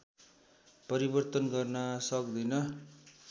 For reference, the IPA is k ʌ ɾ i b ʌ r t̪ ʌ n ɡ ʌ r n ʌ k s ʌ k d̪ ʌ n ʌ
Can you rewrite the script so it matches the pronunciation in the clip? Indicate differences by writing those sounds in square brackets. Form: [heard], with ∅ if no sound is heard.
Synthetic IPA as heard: [p] ʌ ɾ i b ʌ r t̪ ʌ n ɡ ʌ r n ʌ [∅] s ʌ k d̪ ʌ n ʌ